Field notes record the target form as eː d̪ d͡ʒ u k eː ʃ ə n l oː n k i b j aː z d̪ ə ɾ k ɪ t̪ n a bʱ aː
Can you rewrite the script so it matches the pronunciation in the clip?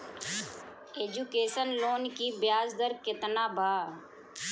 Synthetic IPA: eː d͡ʒ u k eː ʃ ə n l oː n k i b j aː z d̪ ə ɾ k ɪ t̪ n a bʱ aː